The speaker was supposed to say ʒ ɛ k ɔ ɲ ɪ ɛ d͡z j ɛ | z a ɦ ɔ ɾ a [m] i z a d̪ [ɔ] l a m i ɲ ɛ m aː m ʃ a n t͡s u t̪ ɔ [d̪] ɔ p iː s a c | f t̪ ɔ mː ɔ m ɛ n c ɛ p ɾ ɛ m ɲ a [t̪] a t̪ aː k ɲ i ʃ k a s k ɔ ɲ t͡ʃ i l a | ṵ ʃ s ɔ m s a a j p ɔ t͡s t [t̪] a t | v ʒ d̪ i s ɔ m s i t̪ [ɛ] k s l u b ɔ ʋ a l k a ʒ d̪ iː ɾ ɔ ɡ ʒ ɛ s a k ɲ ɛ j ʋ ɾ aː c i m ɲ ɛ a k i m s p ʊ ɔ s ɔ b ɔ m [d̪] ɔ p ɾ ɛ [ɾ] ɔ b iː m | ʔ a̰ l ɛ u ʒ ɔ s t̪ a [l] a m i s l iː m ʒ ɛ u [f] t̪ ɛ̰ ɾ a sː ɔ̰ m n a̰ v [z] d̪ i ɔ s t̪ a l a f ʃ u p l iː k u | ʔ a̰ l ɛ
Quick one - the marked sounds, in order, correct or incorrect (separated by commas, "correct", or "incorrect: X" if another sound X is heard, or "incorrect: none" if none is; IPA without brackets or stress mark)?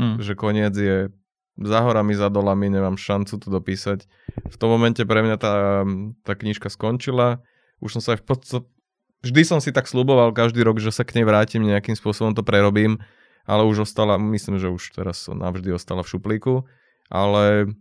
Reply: correct, correct, correct, correct, correct, incorrect: a, incorrect: t̪, correct, correct, incorrect: ʃ, incorrect: ʒ